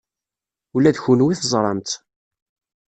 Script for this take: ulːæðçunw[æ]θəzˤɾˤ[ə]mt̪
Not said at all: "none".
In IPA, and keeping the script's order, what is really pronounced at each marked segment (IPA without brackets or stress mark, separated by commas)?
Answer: i, ɑ